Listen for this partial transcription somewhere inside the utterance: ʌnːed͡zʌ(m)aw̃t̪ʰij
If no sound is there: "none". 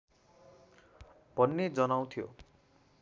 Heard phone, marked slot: n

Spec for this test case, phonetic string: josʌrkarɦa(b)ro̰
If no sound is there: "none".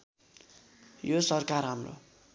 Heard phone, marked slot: m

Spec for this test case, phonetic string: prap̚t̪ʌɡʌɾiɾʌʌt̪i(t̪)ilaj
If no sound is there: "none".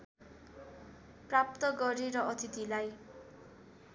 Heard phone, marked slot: t̪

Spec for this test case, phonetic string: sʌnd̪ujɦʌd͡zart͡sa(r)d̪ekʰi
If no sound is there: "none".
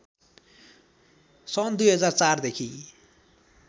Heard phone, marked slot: r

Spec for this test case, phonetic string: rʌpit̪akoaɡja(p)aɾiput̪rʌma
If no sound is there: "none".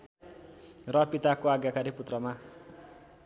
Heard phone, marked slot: k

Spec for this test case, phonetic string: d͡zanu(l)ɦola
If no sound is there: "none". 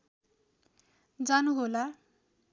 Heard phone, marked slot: none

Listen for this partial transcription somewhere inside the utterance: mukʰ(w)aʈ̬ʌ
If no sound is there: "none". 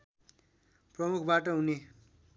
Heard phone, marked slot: b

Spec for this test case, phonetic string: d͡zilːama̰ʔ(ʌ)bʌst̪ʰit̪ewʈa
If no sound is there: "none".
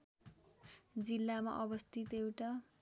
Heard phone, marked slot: ʌ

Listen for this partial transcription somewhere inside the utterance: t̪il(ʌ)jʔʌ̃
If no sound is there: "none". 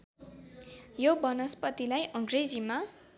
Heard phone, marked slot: a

